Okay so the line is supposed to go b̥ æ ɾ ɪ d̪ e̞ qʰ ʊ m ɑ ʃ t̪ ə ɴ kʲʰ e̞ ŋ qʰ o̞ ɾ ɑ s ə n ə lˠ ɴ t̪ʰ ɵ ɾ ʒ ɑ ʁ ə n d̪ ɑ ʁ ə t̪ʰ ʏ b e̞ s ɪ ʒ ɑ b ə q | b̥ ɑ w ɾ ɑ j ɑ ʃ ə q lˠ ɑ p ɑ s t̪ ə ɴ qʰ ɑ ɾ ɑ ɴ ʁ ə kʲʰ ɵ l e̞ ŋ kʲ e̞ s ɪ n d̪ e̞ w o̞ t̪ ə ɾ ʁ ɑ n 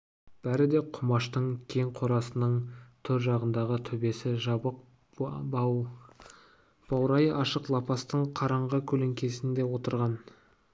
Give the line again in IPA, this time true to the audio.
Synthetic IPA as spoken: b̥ æ ɾ ɪ d̪ e̞ qʰ ʊ m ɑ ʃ t̪ ə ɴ kʲʰ e̞ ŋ qʰ o̞ ɾ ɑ s ə n ə ɴ t̪ʰ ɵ ɾ ʒ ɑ ʁ ə n d̪ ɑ ʁ ə t̪ʰ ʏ b e̞ s ɪ ʒ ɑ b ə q | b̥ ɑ w ɾ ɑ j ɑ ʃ ə q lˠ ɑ p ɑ s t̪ ə ɴ qʰ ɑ ɾ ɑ ɴ ʁ ə kʲʰ ɵ l e̞ ŋ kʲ e̞ s ɪ n d̪ e̞ w o̞ t̪ ə ɾ ʁ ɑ n